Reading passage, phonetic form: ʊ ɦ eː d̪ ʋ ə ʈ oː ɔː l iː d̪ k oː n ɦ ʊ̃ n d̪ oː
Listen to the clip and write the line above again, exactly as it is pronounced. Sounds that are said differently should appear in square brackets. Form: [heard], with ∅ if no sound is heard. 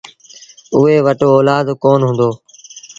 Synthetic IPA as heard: ʊ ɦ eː [∅] ʋ ə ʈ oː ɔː l [aː] d̪ k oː n ɦ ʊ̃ n d̪ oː